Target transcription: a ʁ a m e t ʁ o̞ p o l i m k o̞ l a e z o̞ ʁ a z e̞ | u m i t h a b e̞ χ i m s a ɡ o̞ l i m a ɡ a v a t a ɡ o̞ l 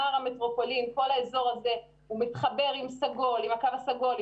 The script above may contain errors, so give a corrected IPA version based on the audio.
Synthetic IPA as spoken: a ʁ a m e t ʁ o̞ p o l i m k o̞ l a e z o̞ ʁ a z e̞ | u m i t χ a b e̞ ʁ i m s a ɡ o̞ l i m a k a v a s a ɡ o̞ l